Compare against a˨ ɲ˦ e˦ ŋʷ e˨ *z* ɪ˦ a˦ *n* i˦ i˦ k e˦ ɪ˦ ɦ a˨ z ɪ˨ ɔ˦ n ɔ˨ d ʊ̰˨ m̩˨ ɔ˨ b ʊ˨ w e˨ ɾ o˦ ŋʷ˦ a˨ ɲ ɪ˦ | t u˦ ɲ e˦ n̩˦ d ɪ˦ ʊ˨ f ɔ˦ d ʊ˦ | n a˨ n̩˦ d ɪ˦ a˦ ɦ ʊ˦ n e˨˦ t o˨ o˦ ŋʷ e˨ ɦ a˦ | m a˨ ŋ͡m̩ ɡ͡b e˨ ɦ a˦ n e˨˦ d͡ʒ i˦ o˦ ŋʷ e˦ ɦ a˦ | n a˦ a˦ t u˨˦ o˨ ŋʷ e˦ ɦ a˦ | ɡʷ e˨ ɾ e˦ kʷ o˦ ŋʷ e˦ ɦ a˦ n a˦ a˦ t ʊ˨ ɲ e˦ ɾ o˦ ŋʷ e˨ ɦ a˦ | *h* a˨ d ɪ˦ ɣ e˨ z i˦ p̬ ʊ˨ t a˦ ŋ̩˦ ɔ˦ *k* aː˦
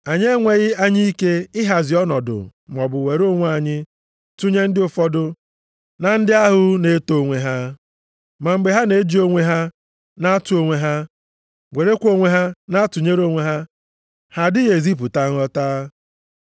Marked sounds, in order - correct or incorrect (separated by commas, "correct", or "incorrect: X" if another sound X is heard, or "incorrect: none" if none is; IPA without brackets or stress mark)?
incorrect: ɣ, incorrect: ɲ, correct, incorrect: t